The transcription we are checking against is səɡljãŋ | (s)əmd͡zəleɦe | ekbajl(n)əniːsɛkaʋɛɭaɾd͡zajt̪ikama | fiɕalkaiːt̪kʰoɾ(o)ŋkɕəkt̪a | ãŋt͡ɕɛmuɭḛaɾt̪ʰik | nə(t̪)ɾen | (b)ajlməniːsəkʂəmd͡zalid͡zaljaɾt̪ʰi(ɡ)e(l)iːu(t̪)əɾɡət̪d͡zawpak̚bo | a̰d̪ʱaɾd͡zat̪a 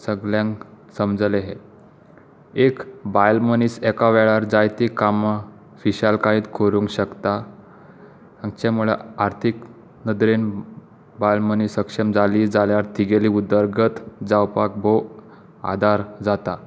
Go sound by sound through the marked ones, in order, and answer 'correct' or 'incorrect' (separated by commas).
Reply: correct, incorrect, incorrect, incorrect, correct, correct, correct, incorrect